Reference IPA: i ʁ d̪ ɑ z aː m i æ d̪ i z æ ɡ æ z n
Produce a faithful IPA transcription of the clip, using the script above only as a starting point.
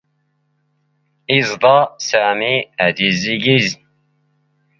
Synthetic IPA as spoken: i z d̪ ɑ s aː m i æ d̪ i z i ɡ i z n